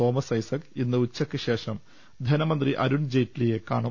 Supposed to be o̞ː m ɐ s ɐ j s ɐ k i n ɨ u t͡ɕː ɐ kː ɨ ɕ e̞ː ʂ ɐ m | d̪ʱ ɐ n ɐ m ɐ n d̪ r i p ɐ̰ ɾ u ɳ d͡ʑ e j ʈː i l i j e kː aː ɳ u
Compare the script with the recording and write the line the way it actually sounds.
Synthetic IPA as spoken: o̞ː m ɐ s ɐ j s ɐ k i nː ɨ u t͡ɕː ɐ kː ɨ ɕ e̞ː ʂ ɐ m | d̪ʱ ɐ n ɐ m ɐ n d̪ r i ʔ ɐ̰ ɾ u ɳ d͡ʑ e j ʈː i l i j e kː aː ɳ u